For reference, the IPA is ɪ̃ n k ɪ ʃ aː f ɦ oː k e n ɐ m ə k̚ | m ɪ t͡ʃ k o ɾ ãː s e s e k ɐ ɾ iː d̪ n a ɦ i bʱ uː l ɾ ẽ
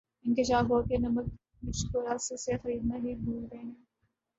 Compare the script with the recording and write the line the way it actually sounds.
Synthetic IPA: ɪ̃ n k ɪ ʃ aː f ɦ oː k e n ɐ m ə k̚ | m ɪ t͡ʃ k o ɾ aː s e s e x ɐ ɾ iː d̪ n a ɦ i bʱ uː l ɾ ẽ